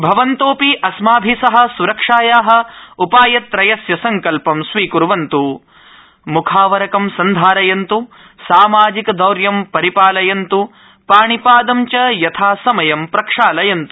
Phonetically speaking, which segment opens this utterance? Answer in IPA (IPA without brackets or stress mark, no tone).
bʱ